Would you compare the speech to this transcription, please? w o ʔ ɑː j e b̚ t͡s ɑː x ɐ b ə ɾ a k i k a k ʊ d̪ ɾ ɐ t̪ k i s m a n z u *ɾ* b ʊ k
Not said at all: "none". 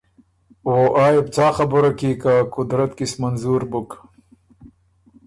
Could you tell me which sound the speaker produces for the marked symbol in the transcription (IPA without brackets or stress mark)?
ɾ